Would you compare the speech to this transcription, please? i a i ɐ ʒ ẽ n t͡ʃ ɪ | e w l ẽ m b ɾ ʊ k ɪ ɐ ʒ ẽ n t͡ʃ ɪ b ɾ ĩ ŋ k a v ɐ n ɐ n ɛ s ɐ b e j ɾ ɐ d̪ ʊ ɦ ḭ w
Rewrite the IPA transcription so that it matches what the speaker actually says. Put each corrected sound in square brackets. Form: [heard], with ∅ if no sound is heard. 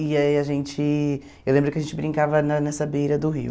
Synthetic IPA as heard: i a i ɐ ʒ ẽ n t͡ʃ ɪ | e w l ẽ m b ɾ ʊ k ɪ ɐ ʒ ẽ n t͡ʃ ɪ b ɾ ĩ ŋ k a v ɐ n ɐ n ɛ s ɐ b e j ɾ ɐ d̪ ʊ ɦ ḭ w